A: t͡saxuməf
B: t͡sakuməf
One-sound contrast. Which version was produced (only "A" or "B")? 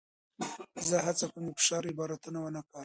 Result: B